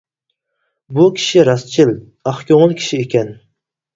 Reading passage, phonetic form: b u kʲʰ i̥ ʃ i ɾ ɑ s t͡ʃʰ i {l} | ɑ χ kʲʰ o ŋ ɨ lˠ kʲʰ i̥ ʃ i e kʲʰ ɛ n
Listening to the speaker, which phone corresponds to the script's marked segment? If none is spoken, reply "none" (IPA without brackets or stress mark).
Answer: l